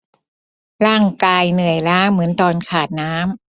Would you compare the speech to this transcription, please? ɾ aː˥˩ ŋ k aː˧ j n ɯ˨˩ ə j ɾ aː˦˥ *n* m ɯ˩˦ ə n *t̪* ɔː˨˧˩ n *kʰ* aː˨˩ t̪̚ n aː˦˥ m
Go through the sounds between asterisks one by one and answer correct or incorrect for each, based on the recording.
incorrect: ŋ, correct, correct

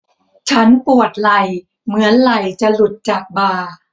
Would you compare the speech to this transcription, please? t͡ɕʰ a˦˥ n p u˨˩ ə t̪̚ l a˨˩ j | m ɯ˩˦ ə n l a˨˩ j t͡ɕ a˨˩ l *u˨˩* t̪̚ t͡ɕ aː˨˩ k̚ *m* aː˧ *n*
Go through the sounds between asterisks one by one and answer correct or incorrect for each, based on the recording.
correct, incorrect: b, incorrect: none

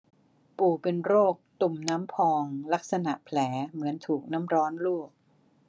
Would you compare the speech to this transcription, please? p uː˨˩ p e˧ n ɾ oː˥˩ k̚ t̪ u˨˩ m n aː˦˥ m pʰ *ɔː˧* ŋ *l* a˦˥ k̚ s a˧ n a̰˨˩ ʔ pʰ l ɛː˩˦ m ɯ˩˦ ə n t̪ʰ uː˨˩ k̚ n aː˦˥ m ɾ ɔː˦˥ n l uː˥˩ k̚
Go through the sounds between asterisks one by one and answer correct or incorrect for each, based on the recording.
correct, correct

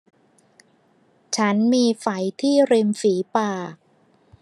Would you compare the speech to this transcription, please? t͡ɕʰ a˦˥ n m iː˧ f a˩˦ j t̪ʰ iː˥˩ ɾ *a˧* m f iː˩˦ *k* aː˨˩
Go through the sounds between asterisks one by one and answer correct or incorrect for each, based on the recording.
incorrect: i˧, incorrect: p

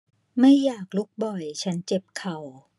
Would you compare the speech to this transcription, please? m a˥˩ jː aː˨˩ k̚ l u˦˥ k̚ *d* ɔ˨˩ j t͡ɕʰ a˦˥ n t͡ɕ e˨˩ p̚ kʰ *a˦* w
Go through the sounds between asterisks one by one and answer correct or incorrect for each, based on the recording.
incorrect: b, incorrect: a˨˩

